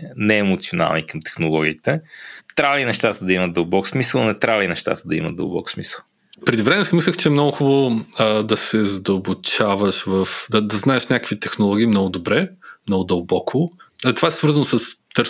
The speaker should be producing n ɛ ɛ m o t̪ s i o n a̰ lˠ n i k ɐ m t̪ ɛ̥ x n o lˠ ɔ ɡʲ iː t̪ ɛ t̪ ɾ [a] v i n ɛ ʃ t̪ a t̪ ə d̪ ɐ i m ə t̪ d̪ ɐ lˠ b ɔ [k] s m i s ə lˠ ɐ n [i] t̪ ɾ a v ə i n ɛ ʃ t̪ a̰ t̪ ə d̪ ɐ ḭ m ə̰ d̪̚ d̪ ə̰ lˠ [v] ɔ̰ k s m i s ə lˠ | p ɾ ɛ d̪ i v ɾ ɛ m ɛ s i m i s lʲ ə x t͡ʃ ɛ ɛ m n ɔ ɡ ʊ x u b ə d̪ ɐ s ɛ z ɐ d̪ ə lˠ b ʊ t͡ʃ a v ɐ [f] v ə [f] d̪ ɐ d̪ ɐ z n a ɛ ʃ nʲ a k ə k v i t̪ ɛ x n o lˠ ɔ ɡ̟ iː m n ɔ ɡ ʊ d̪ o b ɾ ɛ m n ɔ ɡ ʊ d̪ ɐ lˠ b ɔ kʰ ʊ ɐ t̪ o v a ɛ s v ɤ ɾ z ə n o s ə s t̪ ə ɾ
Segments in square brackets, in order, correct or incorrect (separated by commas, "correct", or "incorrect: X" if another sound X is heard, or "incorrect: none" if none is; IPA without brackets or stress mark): correct, correct, incorrect: ɛ, incorrect: b, incorrect: ʃ, correct